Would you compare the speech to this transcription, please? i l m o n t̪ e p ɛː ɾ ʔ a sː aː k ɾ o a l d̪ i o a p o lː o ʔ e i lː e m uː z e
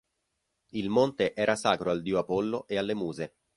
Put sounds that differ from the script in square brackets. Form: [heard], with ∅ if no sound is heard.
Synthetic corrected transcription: i l m o n t̪ e [ʔ] ɛː ɾ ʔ a [s] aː k ɾ o a l d̪ i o a p o lː o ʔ e [a] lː e m uː z e